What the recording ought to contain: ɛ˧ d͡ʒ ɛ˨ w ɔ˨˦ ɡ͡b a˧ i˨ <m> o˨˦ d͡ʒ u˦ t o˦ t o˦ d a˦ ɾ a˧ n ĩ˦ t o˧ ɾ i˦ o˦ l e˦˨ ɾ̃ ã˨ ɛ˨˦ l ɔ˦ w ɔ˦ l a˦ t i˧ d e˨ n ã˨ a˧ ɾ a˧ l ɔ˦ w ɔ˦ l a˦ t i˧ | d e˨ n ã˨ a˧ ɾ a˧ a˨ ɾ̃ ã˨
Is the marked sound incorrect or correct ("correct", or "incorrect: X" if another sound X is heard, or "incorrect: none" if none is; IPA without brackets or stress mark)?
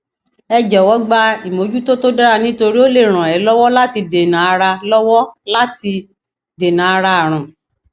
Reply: correct